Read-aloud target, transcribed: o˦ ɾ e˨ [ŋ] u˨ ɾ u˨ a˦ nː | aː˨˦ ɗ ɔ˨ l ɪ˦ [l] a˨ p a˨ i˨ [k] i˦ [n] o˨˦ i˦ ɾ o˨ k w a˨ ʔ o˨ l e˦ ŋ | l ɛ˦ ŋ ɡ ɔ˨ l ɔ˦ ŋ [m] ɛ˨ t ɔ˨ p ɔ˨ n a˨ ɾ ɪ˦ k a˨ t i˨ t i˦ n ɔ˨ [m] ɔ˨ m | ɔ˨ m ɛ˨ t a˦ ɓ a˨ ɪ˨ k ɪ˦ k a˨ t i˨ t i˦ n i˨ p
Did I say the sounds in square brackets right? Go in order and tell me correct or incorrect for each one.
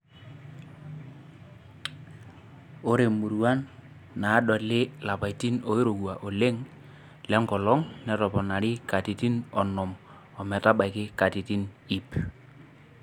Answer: incorrect: m, correct, incorrect: t, correct, incorrect: n, incorrect: n

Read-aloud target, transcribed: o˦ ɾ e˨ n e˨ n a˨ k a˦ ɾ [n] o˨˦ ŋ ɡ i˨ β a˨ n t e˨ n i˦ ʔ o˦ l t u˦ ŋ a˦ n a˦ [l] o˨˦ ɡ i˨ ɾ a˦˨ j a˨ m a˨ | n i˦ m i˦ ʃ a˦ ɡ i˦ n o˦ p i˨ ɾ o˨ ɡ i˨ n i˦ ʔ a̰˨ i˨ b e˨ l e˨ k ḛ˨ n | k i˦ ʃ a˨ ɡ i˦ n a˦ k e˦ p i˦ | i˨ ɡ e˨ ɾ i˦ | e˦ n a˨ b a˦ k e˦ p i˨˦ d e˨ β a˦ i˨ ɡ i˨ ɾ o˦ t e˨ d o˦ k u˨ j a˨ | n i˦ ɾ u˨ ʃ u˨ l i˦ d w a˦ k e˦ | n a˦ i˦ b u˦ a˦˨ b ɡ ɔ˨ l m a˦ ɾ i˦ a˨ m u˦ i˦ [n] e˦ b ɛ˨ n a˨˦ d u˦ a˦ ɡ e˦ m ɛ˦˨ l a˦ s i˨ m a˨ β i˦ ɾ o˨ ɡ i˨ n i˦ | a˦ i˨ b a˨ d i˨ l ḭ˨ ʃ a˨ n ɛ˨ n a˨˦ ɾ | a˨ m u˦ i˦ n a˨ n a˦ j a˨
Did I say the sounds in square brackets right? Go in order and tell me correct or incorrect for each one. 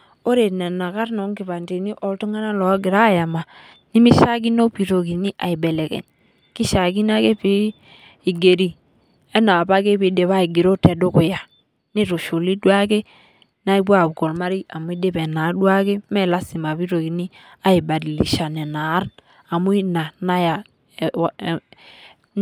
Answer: correct, correct, incorrect: d

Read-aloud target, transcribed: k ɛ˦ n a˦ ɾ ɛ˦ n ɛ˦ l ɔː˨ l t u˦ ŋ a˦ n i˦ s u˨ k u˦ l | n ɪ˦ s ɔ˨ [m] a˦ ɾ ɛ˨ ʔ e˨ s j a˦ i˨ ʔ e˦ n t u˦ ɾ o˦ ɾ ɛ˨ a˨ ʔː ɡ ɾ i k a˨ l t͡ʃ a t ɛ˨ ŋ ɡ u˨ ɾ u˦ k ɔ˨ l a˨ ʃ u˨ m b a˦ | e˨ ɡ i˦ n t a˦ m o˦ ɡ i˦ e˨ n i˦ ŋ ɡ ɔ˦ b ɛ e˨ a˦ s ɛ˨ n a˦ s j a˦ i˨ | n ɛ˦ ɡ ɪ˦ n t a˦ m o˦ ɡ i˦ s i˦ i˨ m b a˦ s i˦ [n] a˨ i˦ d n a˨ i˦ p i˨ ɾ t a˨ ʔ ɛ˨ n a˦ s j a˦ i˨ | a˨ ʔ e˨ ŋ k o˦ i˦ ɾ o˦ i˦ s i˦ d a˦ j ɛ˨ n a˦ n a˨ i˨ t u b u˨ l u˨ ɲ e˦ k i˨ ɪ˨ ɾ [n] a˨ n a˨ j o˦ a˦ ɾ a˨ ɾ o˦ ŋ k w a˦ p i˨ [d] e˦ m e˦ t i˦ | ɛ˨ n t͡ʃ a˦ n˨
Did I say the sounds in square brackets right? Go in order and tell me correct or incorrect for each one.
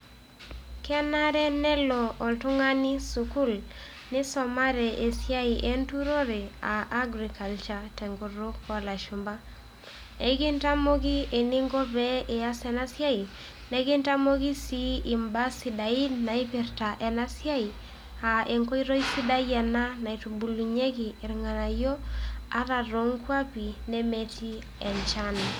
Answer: correct, incorrect: d, incorrect: ŋ, incorrect: n

